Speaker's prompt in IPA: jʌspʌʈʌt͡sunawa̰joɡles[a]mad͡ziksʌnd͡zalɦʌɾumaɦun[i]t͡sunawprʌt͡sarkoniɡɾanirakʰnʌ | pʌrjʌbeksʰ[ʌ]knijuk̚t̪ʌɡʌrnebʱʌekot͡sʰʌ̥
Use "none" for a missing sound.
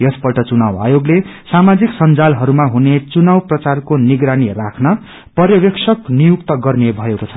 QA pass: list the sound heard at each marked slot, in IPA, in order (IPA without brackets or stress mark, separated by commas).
a, e, ʌ